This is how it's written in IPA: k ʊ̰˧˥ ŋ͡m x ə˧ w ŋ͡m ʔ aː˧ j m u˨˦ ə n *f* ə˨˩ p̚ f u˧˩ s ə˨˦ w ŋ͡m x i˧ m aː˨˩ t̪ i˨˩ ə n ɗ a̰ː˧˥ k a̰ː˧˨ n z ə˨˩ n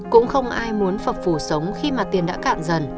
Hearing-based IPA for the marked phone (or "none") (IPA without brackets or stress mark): f